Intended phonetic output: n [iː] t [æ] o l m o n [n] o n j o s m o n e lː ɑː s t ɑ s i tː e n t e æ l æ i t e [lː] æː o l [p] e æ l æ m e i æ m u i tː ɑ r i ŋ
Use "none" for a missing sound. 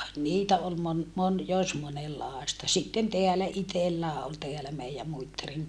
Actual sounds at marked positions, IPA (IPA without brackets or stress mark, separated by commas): iː, æ, m, lː, t